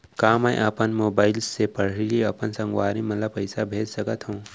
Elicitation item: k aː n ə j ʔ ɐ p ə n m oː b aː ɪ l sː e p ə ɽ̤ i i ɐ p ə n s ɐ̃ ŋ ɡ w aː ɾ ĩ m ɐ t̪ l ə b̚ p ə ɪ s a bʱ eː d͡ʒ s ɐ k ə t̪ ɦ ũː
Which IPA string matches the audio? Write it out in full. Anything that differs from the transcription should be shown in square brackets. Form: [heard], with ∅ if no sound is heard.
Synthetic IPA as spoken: k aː [m] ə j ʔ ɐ p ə n m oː b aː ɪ l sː e p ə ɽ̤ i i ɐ p ə n s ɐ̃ ŋ ɡ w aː ɾ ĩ m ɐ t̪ l ə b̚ p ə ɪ s a bʱ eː d͡ʒ s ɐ k ə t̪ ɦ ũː